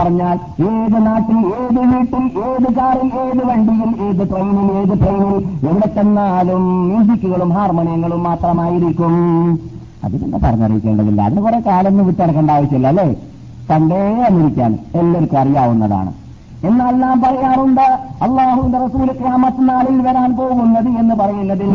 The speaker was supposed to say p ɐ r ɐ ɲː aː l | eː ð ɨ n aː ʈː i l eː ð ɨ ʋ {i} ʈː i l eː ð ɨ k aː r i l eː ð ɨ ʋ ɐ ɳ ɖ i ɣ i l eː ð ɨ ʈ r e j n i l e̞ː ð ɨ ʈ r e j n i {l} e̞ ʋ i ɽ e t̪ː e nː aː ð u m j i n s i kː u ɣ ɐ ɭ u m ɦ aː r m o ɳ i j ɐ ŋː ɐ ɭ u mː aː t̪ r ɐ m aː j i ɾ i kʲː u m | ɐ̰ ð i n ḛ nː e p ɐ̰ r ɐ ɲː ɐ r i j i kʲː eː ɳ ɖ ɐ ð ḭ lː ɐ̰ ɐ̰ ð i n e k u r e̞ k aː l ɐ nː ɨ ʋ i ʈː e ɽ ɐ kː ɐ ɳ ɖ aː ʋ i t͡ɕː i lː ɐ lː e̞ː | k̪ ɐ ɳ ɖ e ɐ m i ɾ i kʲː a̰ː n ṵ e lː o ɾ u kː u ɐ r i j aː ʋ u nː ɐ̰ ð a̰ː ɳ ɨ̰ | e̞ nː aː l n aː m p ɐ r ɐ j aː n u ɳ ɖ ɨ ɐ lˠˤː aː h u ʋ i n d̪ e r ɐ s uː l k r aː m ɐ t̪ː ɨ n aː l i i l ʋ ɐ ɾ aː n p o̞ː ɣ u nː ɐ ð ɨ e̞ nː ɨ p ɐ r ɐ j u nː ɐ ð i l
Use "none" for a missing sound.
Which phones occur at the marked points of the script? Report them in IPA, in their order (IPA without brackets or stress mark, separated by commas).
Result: iː, l